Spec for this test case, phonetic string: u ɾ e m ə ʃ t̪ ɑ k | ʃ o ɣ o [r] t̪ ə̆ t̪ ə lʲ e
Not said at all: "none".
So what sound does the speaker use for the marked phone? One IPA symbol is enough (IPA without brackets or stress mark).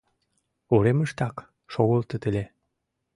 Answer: l